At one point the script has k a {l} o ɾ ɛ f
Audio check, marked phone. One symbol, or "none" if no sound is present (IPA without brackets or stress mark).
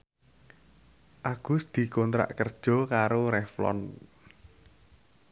ɾ